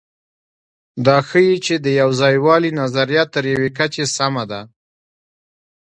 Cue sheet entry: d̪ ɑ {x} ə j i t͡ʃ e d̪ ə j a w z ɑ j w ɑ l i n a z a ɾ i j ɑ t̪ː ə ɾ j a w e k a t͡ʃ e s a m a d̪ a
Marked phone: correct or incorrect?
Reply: correct